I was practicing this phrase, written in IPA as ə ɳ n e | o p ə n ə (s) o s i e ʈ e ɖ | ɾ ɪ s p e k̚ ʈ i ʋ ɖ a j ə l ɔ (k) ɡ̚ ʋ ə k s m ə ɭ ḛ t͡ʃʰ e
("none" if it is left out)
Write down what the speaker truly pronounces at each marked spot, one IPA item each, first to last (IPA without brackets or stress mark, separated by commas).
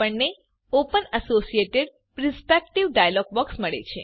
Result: s, none